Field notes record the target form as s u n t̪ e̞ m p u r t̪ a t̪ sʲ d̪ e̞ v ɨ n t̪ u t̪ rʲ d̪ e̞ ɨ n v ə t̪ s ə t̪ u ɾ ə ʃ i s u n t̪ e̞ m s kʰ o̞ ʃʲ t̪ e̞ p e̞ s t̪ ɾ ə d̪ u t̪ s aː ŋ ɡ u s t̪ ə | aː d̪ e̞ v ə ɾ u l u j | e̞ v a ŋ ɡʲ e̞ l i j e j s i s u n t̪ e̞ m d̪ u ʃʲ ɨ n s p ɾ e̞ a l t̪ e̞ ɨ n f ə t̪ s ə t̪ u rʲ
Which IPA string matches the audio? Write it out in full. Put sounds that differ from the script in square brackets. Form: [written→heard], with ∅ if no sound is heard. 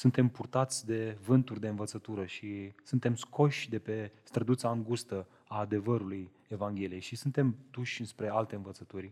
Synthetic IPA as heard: s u n t̪ e̞ m p u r t̪ a t̪ sʲ d̪ e̞ v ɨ n t̪ u [t̪→∅] rʲ d̪ e̞ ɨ n v ə t̪ s ə t̪ u ɾ ə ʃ i s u n t̪ e̞ m s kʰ o̞ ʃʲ [t̪→d̪] e̞ p e̞ s t̪ ɾ ə d̪ u t̪ s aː ŋ ɡ u s t̪ ə | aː d̪ e̞ v ə ɾ u l u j | e̞ v a ŋ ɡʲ e̞ l i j e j [s→ʃ] i s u n t̪ e̞ m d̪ u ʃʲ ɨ n s p ɾ e̞ a l t̪ e̞ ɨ n [f→v] ə t̪ s ə t̪ u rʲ